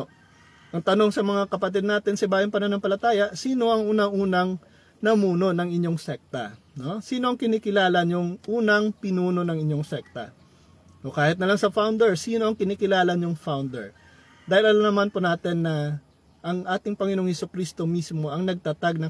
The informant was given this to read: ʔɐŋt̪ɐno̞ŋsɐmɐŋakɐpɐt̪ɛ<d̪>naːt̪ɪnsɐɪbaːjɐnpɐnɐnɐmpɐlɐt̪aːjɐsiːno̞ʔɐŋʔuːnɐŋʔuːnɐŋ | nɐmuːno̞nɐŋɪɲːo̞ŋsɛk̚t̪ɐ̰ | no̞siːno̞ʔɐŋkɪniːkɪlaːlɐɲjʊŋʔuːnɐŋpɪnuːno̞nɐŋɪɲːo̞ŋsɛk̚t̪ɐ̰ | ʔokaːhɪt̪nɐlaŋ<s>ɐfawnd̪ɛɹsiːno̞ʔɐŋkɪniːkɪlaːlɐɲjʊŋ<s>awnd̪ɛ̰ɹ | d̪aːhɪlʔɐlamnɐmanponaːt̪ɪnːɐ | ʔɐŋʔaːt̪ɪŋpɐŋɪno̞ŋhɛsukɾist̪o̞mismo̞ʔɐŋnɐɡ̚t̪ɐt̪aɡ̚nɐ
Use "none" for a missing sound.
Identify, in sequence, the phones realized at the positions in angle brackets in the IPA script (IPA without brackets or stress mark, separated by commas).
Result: d̪, s, f